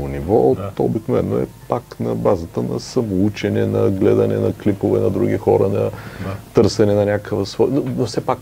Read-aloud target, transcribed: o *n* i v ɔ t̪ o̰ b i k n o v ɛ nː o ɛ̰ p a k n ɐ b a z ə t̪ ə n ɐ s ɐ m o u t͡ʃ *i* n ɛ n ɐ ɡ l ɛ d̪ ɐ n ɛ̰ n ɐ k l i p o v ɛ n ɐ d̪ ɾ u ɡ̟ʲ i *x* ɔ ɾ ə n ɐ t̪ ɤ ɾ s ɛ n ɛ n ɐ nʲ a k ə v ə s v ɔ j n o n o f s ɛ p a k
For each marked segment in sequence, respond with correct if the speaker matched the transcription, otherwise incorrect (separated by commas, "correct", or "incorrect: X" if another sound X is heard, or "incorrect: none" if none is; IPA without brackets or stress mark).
correct, incorrect: ɛ, correct